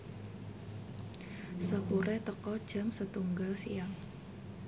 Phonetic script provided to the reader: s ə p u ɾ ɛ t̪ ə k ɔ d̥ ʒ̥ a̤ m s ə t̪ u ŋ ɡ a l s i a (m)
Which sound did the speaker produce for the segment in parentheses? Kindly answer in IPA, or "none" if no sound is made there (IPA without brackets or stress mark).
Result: ŋ